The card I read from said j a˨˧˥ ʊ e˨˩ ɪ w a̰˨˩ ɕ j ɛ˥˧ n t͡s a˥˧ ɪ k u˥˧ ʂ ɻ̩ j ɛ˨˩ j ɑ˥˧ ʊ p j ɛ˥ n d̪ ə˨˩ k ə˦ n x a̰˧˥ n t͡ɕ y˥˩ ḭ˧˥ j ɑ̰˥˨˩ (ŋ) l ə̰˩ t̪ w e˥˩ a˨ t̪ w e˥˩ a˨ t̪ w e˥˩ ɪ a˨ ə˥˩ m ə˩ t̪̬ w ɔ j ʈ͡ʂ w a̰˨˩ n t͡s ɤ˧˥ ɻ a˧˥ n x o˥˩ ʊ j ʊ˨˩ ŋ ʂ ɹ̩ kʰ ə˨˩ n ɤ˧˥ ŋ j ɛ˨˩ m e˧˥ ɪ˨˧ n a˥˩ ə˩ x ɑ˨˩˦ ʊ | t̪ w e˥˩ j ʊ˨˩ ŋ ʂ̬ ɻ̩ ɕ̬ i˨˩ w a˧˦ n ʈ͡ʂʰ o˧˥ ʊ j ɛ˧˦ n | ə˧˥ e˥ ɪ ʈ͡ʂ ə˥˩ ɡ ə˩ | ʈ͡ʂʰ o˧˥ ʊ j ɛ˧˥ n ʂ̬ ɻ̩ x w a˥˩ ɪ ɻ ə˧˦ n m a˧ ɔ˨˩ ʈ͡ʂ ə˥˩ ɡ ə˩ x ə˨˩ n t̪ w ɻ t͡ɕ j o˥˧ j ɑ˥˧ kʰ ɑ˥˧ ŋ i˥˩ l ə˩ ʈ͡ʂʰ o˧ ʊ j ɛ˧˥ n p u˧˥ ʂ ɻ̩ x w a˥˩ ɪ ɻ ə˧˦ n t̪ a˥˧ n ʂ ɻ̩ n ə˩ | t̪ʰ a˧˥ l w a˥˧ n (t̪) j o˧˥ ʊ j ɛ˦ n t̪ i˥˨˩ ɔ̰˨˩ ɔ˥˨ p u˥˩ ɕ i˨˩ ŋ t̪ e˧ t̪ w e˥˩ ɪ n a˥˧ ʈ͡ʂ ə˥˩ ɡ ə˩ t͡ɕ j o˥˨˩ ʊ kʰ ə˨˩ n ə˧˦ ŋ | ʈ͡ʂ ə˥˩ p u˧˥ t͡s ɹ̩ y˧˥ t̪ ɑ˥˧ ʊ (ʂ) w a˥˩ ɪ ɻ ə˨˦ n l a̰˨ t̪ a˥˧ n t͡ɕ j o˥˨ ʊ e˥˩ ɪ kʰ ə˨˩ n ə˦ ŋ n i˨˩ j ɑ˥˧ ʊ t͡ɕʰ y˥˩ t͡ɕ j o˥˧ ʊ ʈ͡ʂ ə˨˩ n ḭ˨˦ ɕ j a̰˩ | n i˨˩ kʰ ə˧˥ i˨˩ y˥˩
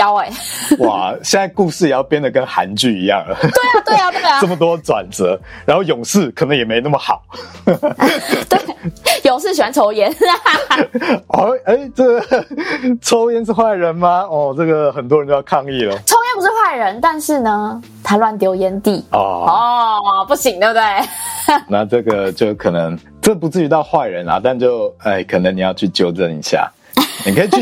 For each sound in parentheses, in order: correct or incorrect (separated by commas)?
correct, correct, incorrect